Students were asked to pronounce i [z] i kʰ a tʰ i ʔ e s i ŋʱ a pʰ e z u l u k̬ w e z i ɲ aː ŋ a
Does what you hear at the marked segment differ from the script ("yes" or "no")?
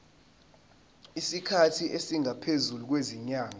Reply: yes